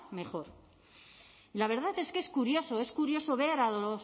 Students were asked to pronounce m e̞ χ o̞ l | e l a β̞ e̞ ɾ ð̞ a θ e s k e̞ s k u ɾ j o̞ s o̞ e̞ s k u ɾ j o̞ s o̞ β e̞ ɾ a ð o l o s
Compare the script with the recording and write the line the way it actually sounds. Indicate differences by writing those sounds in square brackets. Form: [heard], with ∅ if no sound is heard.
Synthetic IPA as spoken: m e̞ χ o̞ [ɾ] | [i] l a β̞ e̞ ɾ ð̞ a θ e s k e̞ s k u ɾ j o̞ s o̞ e̞ s k u ɾ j o̞ s o̞ β e̞ ɾ a ð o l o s